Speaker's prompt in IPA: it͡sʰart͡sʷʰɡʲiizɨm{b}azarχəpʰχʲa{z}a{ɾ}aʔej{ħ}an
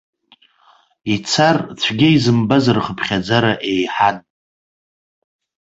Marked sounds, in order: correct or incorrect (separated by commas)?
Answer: correct, incorrect, correct, correct